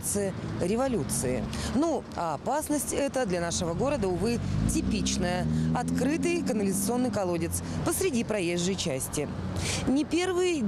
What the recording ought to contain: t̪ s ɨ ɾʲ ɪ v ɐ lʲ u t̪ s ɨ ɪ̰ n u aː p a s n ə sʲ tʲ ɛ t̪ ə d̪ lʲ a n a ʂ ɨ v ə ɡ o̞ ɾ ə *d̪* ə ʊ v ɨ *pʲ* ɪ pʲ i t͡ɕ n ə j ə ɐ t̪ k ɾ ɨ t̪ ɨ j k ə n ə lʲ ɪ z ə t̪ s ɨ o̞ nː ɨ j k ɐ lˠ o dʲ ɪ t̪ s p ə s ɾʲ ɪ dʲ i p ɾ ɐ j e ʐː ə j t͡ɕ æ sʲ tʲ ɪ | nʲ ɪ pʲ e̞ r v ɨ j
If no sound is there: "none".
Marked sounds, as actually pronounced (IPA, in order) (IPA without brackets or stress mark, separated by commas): d̪, tʲ